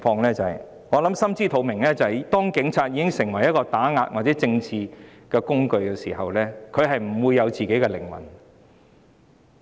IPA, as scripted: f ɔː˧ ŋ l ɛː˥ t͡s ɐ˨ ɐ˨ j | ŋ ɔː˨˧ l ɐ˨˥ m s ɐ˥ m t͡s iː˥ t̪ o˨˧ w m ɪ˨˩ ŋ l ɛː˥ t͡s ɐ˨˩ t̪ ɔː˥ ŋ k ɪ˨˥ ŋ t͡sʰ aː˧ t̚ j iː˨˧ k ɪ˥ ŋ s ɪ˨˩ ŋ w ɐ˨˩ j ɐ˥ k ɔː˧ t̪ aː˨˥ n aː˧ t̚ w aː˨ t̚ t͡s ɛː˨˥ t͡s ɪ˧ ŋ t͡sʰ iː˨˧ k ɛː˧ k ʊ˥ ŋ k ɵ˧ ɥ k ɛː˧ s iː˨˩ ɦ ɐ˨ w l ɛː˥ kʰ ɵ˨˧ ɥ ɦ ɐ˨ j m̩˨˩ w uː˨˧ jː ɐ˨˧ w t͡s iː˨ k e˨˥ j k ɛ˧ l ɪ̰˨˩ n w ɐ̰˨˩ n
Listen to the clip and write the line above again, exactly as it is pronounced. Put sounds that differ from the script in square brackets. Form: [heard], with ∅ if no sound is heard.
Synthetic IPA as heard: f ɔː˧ ŋ l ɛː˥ t͡s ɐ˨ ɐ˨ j | ŋ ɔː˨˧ l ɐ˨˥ m s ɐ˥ m t͡s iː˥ [t̪ʰ] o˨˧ w m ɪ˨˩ ŋ l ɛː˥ t͡s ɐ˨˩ t̪ ɔː˥ ŋ k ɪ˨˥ ŋ t͡sʰ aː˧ t̚ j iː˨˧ k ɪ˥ ŋ s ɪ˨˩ ŋ w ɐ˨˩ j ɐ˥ k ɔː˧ t̪ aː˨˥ [ŋ] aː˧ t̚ w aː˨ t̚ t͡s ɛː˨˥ t͡s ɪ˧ ŋ t͡sʰ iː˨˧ k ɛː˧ k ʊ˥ ŋ k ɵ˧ ɥ k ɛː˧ s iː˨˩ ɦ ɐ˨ w l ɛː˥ kʰ ɵ˨˧ ɥ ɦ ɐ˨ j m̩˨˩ w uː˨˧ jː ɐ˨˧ w t͡s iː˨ k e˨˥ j k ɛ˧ l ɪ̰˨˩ [ŋ] w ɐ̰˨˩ n

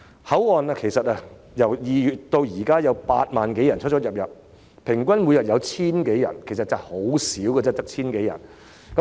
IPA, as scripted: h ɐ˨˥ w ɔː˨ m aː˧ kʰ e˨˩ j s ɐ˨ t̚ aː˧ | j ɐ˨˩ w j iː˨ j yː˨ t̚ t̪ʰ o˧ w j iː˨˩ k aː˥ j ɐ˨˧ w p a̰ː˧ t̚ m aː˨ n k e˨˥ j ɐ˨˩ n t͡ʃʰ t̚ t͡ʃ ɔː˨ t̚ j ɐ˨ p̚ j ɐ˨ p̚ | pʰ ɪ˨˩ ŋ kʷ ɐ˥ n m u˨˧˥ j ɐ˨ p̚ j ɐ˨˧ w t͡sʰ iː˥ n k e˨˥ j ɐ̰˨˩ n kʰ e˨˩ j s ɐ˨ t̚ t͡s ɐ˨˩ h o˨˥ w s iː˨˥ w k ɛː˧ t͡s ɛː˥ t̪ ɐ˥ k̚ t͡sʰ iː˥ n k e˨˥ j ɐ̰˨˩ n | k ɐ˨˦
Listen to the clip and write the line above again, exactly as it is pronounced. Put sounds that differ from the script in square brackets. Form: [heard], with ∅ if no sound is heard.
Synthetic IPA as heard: h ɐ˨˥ w ɔː˨ [n] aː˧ kʰ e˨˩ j s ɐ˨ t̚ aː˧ | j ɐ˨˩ w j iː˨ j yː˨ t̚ [t̪] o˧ w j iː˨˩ k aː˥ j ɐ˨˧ w p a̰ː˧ t̚ m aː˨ n k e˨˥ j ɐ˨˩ n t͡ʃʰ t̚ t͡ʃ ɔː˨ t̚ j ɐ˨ p̚ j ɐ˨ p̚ | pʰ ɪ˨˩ ŋ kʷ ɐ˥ n m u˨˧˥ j ɐ˨ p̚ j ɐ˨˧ w t͡sʰ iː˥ n k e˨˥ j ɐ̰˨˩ n kʰ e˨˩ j s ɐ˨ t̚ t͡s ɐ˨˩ h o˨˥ w s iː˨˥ w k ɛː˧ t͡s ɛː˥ t̪ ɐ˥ k̚ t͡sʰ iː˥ n k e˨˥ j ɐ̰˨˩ n | k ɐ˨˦

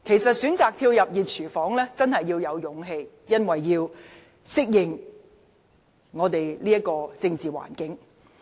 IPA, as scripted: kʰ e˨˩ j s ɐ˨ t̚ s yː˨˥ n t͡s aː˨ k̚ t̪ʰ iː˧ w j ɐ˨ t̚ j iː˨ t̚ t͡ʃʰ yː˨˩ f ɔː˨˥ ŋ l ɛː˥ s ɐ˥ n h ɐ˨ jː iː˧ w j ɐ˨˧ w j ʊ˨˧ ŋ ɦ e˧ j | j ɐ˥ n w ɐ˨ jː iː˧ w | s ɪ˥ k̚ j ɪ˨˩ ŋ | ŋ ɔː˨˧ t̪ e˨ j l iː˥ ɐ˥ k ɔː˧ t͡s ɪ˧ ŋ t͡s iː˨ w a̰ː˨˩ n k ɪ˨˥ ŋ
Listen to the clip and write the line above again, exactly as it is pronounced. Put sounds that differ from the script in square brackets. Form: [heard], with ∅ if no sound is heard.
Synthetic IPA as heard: kʰ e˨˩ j s ɐ˨ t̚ s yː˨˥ n t͡s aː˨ k̚ t̪ʰ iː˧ w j ɐ˨ [p̚] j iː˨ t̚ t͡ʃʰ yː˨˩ f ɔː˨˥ ŋ l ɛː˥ [t͡s] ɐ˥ n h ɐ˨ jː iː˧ w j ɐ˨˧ w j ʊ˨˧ ŋ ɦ e˧ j | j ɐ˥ n w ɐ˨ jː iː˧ w | s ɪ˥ k̚ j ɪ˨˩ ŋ | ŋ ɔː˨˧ t̪ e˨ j l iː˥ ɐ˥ k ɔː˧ t͡s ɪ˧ ŋ t͡s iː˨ w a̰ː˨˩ n k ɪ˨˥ ŋ

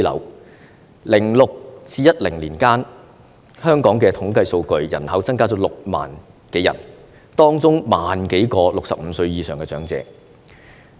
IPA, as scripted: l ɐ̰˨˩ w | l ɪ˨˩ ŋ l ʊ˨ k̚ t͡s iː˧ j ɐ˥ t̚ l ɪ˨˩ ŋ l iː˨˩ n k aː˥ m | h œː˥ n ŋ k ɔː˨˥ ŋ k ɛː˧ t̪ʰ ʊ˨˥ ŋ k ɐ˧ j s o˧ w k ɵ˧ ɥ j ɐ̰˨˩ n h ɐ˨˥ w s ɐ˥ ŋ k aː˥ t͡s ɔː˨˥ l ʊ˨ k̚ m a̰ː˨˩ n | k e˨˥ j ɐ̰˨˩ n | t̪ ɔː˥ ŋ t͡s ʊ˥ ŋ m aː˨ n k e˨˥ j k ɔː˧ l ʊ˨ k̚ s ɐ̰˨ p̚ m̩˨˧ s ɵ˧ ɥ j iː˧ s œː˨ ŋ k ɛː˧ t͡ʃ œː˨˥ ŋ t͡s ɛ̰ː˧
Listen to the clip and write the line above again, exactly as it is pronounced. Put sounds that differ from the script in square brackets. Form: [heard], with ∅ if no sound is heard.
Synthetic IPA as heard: l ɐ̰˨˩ w | l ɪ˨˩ ŋ l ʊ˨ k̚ t͡s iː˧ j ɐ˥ t̚ l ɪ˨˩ ŋ l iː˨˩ n k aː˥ [n] | h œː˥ [∅] ŋ k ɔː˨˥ ŋ k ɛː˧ t̪ʰ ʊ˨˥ ŋ k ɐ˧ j s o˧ w k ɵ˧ ɥ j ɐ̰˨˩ n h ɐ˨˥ w [t͡s] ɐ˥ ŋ k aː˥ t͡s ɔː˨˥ l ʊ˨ k̚ m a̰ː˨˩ n | k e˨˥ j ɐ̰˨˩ n | t̪ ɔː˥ ŋ t͡s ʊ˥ ŋ m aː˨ n k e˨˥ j k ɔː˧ l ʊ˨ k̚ s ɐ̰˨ p̚ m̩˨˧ s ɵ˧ ɥ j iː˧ s œː˨ ŋ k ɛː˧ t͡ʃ œː˨˥ ŋ t͡s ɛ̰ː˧

